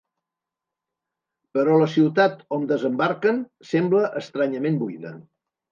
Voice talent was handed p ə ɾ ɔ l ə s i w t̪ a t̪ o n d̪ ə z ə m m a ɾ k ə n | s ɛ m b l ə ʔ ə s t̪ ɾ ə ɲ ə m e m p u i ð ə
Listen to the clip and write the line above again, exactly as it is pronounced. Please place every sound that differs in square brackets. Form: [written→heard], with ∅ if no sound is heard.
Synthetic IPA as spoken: p ə ɾ ɔ l ə s i w t̪ a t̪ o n d̪ ə z ə m [m→b] a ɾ k ə n | s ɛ m b l ə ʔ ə s t̪ ɾ [ə→a] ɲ ə m e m [p→b] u i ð ə